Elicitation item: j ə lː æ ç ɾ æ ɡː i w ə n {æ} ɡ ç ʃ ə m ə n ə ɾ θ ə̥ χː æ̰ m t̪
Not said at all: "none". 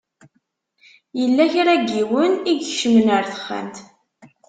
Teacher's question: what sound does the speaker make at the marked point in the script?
i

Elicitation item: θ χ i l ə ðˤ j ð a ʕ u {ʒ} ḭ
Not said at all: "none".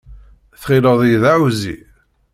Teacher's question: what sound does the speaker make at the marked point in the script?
z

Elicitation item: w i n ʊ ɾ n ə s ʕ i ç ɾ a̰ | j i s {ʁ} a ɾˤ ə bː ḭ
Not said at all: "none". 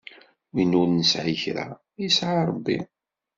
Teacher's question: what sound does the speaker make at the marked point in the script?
ʕ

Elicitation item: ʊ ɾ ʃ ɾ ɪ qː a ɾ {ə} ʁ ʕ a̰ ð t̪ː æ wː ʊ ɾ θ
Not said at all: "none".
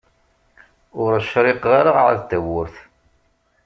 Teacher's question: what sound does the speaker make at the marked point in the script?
a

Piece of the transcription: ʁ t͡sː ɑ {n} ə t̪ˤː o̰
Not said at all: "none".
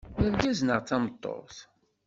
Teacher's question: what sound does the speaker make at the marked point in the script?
m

